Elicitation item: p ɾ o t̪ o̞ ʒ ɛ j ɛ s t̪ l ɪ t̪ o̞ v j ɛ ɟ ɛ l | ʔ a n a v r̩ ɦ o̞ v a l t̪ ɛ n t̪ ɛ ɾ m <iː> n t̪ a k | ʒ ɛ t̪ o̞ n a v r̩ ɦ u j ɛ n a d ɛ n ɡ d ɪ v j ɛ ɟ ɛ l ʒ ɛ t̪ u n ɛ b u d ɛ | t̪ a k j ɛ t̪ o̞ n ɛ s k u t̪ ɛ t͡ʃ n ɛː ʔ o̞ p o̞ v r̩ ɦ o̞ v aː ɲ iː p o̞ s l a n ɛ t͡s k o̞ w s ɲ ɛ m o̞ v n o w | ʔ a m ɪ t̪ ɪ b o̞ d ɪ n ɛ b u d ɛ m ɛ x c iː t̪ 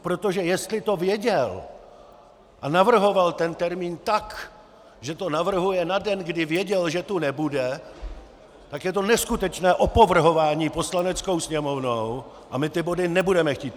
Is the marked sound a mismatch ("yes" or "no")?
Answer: no